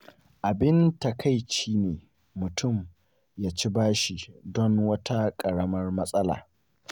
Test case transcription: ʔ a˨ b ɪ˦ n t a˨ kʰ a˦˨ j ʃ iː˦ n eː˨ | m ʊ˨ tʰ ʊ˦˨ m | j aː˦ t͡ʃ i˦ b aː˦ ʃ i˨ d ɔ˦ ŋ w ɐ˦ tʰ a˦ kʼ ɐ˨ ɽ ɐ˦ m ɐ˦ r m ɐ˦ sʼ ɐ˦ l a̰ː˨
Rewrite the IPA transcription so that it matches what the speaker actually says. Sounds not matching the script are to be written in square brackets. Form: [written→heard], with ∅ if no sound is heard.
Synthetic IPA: ʔ a˨ b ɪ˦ n t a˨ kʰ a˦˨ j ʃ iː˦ n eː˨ | m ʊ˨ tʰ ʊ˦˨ m | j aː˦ t͡ʃ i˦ b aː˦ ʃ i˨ d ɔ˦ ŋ w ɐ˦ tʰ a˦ kʼ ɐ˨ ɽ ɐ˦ m ɐ˦ r m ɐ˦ sʼ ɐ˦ l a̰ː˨